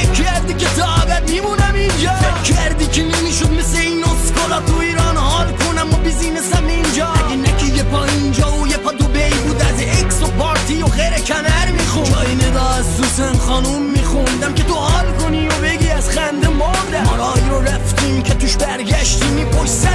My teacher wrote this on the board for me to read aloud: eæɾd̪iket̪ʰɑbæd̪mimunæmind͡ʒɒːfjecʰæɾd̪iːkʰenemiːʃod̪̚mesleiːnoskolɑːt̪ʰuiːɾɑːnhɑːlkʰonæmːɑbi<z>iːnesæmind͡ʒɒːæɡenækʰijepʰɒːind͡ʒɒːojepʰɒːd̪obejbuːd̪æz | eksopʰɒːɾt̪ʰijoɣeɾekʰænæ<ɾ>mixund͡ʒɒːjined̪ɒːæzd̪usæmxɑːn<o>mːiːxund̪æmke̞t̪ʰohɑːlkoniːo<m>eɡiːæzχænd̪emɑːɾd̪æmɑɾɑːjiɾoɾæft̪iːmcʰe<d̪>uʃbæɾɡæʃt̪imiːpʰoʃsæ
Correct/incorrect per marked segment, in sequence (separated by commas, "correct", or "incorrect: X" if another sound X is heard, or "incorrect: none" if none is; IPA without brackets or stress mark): correct, correct, incorrect: u, incorrect: b, incorrect: t̪